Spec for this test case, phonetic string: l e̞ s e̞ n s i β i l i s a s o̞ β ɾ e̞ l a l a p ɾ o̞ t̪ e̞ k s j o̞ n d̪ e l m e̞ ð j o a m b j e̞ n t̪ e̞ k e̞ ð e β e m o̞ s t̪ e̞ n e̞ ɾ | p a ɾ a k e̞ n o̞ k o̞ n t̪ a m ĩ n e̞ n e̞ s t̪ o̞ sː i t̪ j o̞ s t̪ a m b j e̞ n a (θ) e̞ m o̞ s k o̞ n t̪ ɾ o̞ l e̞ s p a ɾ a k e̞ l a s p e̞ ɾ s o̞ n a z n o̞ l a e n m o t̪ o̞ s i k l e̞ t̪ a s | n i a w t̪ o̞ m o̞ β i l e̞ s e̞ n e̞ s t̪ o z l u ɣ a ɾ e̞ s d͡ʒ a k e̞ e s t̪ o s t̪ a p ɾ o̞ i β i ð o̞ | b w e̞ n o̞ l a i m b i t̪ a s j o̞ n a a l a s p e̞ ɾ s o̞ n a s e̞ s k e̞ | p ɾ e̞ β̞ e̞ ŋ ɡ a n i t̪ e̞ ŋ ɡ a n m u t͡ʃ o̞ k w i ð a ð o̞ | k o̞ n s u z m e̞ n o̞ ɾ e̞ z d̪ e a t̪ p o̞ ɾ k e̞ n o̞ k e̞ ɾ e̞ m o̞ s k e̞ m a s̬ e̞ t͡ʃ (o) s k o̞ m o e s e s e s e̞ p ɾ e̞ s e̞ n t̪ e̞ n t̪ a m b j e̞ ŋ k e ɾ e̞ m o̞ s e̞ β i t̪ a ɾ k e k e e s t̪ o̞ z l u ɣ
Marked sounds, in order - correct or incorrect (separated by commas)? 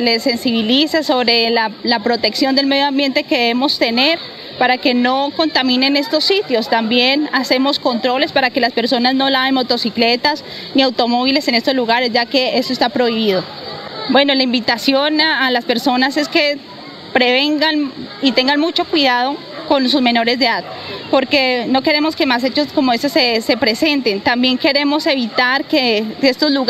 incorrect, correct